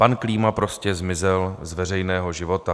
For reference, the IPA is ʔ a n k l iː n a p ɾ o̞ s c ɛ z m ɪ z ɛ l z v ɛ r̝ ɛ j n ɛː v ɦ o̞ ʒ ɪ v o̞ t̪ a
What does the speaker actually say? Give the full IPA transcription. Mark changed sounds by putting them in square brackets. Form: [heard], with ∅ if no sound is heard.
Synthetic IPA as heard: [p] a n k l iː [m] a p ɾ o̞ s c ɛ z m ɪ z ɛ l z v ɛ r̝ ɛ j n ɛː [∅] ɦ o̞ ʒ ɪ v o̞ t̪ a